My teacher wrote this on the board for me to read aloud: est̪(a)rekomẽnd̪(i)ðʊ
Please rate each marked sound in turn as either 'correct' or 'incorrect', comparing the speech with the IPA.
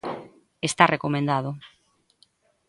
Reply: correct, incorrect: a

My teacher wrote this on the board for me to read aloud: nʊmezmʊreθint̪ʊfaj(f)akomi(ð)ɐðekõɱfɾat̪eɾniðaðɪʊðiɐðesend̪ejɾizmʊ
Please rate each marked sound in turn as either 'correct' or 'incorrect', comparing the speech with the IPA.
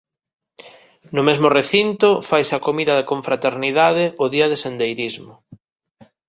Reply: incorrect: s, correct

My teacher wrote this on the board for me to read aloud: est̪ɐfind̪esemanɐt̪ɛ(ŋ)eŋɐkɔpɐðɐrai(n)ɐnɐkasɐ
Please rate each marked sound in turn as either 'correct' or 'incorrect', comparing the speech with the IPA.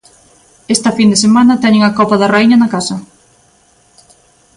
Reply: incorrect: ɲ, incorrect: ɲ

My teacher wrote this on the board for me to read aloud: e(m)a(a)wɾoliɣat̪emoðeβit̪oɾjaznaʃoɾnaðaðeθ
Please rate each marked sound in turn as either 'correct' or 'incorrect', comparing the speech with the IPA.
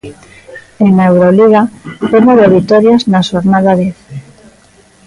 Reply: incorrect: ŋ, incorrect: e

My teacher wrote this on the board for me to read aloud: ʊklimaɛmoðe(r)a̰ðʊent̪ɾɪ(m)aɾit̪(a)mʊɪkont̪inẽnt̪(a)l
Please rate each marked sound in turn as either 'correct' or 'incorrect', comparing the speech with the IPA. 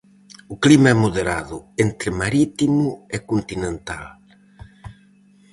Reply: incorrect: ɾ, correct, incorrect: i, correct

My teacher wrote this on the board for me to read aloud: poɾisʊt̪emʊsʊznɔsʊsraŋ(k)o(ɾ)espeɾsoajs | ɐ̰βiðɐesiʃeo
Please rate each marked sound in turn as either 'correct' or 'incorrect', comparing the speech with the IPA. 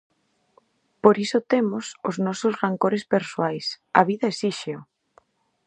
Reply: correct, correct

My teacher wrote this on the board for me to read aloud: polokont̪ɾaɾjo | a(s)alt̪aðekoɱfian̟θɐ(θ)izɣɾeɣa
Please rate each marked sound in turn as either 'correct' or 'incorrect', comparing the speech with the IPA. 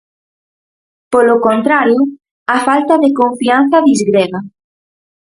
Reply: incorrect: f, incorrect: ð

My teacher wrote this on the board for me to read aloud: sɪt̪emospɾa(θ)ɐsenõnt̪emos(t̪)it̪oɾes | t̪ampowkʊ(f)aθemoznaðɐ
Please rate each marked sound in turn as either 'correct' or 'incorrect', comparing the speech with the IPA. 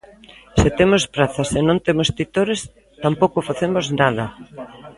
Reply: correct, correct, correct

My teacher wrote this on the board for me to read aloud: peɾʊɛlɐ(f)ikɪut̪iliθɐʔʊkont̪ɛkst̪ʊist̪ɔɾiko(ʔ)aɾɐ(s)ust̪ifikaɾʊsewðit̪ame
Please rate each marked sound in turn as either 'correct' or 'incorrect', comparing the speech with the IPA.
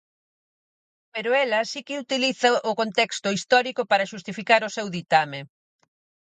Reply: incorrect: s, incorrect: p, incorrect: ʃ

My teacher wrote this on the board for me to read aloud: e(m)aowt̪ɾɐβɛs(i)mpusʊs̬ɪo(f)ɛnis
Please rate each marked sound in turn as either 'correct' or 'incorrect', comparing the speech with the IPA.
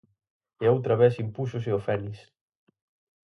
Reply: incorrect: none, correct, correct

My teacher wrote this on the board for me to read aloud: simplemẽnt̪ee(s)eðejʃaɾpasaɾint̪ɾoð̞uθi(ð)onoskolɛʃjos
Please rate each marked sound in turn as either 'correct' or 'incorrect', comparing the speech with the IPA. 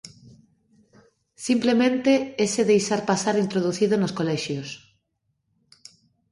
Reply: correct, correct

